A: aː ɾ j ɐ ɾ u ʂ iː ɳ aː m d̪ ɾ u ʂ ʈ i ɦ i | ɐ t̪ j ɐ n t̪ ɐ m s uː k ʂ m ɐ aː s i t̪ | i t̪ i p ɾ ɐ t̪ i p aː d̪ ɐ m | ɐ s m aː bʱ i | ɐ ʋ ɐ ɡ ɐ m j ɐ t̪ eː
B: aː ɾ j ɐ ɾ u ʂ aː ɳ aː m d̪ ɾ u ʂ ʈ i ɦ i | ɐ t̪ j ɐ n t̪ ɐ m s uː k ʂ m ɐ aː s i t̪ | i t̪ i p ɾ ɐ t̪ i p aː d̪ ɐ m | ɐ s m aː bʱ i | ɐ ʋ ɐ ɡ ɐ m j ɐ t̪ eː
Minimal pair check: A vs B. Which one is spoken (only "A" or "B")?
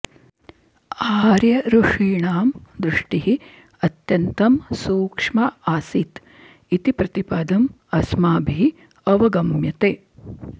A